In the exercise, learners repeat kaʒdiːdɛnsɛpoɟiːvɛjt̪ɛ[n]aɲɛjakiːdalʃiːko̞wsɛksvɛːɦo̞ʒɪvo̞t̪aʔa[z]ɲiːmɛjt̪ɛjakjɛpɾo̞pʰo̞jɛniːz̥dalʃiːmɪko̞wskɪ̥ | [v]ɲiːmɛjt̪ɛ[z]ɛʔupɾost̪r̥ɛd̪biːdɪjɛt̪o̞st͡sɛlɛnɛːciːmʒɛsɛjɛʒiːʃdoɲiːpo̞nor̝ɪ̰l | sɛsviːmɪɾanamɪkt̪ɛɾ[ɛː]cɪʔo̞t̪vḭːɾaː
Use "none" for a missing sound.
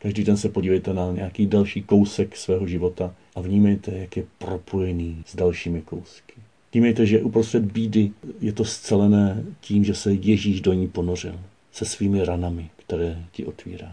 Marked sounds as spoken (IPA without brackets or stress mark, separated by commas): n, v, v, ʒ, ɛː